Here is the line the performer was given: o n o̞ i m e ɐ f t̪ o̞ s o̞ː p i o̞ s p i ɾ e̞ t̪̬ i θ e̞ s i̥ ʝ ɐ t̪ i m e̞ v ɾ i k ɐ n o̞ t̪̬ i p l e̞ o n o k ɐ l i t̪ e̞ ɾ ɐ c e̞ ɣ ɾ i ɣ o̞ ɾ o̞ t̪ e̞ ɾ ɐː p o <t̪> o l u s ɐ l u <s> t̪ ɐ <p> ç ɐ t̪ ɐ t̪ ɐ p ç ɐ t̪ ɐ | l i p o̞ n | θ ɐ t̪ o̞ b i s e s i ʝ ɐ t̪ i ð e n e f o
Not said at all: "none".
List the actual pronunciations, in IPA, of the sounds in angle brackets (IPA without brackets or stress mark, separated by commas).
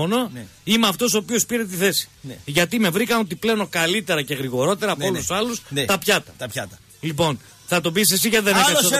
none, s, p